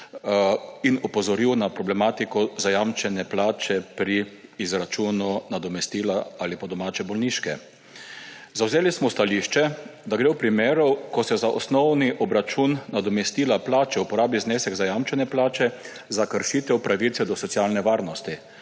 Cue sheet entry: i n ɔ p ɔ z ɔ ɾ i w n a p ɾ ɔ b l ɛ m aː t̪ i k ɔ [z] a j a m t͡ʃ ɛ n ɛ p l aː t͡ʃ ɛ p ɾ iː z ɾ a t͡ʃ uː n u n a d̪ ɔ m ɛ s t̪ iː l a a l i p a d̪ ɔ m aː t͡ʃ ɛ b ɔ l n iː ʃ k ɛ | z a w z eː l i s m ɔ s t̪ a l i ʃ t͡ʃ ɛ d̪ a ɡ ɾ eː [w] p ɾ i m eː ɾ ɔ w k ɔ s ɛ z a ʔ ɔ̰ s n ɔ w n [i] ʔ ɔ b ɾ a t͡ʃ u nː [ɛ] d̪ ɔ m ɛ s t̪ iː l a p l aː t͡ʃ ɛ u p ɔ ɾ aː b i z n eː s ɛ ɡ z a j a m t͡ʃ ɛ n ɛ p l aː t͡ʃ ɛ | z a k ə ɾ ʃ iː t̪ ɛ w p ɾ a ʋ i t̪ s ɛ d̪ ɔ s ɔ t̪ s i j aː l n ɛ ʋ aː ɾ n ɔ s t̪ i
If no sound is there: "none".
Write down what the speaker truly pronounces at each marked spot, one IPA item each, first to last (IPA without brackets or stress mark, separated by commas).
z, w, i, a